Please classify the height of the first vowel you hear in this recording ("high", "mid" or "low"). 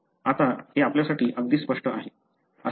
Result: low